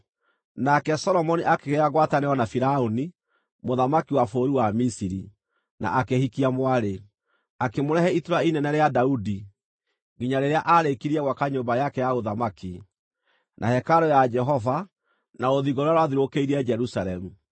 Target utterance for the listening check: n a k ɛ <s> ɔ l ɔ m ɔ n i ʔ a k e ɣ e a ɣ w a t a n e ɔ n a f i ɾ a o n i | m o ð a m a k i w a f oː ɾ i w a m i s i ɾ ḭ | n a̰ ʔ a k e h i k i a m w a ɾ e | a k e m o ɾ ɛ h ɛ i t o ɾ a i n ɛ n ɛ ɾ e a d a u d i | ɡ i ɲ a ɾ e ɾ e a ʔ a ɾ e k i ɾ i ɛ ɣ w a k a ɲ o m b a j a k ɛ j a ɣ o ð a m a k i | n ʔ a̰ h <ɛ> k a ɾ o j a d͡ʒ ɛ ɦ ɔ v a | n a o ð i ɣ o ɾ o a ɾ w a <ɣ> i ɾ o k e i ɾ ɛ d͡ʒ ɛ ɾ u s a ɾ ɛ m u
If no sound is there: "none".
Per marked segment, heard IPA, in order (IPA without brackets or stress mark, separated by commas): s, ɛ, ð